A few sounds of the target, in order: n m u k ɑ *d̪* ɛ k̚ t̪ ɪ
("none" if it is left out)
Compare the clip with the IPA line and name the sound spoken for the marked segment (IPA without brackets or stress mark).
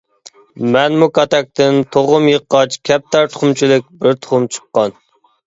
t̪